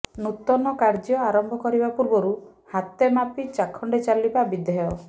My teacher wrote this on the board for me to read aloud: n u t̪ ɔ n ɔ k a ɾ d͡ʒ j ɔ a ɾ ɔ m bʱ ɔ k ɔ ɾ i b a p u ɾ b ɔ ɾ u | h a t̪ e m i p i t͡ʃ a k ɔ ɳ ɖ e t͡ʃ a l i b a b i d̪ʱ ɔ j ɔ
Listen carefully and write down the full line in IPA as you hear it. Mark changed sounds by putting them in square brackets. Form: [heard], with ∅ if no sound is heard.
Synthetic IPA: n u t̪ ɔ n ɔ k a ɾ d͡ʒ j ɔ a ɾ ɔ m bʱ ɔ k ɔ ɾ i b a p u ɾ b ɔ ɾ u | h a t̪ e m [a] p i t͡ʃ a [kʰ] ɔ ɳ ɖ e t͡ʃ a l i b a b i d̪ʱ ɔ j ɔ